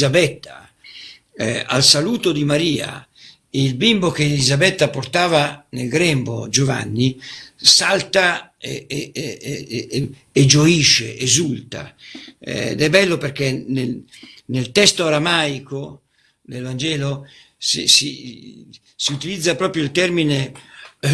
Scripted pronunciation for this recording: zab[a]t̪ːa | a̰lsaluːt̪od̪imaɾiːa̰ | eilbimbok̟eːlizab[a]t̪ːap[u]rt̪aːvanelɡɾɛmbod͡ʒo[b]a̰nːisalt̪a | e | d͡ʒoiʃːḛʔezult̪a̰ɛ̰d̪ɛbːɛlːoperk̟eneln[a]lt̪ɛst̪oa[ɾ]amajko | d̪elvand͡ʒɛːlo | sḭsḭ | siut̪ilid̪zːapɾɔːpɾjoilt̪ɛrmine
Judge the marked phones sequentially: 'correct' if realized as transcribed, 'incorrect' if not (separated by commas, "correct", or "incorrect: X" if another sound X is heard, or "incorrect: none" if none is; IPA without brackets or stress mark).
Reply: incorrect: ɛ, incorrect: ɛ, incorrect: o, incorrect: v, incorrect: e, correct